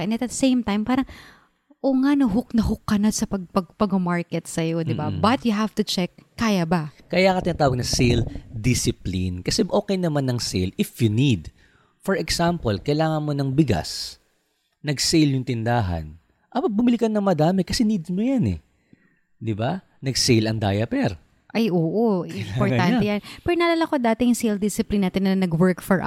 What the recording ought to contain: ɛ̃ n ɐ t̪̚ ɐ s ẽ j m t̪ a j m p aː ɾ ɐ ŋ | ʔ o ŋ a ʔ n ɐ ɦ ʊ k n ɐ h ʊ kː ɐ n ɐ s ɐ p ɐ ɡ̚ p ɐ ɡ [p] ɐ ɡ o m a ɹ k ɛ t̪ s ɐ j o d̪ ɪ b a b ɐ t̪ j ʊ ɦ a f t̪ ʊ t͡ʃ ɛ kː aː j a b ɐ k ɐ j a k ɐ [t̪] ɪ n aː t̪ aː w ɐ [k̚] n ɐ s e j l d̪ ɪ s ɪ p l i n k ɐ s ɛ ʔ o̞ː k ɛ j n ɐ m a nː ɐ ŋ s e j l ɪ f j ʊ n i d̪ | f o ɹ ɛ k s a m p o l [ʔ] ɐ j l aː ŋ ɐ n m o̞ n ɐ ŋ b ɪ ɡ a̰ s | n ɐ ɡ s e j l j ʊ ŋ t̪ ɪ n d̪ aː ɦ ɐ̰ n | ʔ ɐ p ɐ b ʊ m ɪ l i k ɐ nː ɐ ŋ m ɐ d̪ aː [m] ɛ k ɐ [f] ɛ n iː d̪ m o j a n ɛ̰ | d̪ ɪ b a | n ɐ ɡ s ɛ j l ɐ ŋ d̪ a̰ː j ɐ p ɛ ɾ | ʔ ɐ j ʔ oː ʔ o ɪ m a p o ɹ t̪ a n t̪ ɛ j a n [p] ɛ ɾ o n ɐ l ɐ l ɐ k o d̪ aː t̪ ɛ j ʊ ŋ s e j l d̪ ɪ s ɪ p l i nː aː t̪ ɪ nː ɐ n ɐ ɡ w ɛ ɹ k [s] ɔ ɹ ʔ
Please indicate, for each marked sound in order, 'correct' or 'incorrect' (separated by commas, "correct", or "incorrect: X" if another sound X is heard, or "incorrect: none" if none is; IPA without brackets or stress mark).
correct, correct, incorrect: ɡ̚, incorrect: k, correct, incorrect: s, correct, incorrect: f